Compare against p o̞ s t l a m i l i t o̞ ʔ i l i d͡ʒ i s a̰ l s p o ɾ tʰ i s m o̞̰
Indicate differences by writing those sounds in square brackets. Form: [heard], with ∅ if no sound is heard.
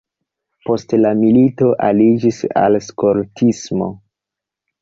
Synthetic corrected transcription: p o̞ s t l a m i l i t o̞ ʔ [a] l i d͡ʒ i s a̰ l s [k] o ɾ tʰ i s m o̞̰